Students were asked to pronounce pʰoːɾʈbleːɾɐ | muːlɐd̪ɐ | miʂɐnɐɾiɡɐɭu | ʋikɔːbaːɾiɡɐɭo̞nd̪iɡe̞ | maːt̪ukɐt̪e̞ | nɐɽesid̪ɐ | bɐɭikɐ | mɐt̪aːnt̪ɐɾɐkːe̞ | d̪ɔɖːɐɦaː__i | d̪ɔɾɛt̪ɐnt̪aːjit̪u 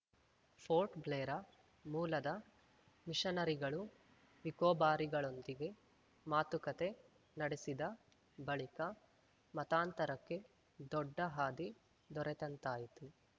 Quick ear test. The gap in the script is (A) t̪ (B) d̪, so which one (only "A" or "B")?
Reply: B